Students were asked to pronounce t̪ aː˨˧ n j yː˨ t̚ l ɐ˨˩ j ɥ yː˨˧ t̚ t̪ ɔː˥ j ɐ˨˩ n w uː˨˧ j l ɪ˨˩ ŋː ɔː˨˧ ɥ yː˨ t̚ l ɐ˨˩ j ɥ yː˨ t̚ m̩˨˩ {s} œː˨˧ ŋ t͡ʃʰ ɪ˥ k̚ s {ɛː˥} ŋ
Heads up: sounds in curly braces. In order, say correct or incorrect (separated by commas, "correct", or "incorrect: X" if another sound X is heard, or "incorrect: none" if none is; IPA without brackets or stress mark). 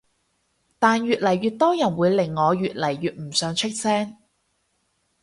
correct, correct